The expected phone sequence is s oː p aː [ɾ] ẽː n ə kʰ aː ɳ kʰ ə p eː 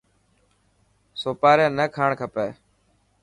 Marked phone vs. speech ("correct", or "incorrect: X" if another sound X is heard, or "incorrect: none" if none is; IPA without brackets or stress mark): correct